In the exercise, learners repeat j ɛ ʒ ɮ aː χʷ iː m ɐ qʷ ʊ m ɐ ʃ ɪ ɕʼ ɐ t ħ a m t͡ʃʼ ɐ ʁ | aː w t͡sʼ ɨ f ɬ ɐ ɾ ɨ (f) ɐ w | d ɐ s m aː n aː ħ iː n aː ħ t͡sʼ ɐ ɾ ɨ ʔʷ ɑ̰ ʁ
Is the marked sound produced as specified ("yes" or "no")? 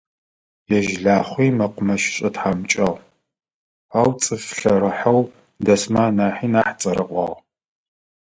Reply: no